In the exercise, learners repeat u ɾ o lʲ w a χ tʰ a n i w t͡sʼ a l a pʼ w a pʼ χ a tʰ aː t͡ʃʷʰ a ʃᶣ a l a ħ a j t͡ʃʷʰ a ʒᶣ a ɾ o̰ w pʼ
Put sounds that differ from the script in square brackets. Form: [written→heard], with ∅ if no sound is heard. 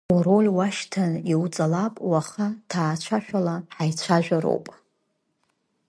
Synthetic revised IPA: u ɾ o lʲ w a [χ→ʃ] tʰ a n i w t͡sʼ a l a pʼ w a [pʼ→∅] χ a tʰ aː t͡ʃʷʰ a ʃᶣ a l a ħ a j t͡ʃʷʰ a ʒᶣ a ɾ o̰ w pʼ